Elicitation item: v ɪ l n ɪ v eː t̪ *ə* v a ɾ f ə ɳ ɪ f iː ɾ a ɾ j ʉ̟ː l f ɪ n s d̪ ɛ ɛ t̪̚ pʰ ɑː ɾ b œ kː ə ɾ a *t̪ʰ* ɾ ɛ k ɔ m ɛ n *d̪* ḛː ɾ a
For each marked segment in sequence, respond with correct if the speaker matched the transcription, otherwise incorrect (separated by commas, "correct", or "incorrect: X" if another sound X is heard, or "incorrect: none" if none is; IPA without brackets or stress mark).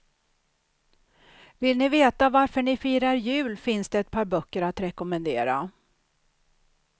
incorrect: a, incorrect: t̪, correct